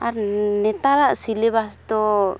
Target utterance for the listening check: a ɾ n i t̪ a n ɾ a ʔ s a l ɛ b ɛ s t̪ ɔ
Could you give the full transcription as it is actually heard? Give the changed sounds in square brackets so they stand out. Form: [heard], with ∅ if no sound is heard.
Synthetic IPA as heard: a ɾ n [ɛ] t̪ a [∅] ɾ a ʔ s [i] l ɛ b [a] s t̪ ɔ